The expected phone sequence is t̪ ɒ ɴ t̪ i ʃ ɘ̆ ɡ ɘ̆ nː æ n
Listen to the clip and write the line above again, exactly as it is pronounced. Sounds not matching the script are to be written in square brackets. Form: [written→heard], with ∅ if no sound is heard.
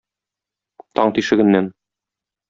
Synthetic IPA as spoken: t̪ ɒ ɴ t̪ i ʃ ɘ̆ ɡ ɘ̆ nː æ n